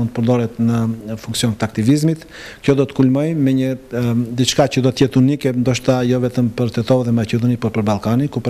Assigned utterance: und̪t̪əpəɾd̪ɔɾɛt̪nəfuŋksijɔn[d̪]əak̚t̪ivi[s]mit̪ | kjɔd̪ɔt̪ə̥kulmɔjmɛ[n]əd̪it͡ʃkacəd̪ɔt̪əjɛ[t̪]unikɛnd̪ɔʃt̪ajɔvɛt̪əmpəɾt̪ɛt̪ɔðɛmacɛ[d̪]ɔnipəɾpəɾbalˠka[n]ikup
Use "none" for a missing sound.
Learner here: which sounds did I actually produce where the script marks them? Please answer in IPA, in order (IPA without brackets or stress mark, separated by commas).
t̪, z, ɲ, t̪, d̪, n